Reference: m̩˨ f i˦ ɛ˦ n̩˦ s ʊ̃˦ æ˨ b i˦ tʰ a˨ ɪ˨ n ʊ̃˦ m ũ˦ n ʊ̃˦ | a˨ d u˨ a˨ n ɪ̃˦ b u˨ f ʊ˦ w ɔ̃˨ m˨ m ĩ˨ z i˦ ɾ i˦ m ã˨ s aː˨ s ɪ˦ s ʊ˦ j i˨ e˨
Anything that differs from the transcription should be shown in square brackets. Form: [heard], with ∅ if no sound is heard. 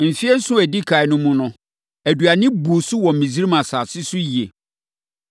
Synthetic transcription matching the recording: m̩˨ f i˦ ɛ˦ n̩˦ s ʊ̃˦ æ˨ [d] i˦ [kʰ] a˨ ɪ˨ n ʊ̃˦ m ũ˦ n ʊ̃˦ | [æ˨] d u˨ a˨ n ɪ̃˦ b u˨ [s] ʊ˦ w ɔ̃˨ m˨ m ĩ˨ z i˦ ɾ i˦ m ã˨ s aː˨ s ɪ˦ s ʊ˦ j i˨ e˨